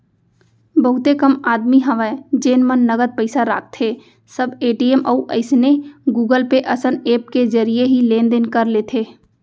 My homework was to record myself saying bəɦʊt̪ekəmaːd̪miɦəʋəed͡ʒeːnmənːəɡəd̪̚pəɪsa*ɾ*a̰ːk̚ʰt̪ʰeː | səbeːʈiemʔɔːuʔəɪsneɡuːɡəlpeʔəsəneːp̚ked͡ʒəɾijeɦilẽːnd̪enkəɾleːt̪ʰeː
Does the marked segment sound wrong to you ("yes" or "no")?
no